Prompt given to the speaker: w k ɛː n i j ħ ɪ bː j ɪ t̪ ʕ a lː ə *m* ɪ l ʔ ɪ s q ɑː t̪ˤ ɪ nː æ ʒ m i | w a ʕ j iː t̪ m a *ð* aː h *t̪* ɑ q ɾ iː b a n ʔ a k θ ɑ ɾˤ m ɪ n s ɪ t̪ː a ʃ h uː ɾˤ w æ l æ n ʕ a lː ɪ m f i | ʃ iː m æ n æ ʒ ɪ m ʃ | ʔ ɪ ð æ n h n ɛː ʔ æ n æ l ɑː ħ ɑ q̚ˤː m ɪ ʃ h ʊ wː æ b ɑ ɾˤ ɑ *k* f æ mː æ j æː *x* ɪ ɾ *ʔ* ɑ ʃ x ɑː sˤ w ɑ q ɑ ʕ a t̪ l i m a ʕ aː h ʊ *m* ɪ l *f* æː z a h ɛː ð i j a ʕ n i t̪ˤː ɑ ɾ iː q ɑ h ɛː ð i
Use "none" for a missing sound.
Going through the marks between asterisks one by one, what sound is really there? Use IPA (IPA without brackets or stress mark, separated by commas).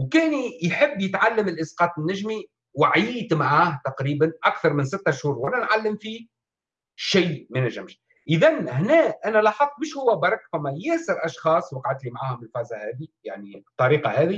m, ʕ, t̪, k, s, ʔ, m, f